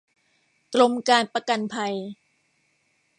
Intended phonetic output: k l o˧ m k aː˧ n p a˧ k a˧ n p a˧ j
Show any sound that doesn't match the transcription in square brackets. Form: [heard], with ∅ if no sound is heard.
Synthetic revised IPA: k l o˧ m k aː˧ n p a˧ k a˧ n [pʰ] a˧ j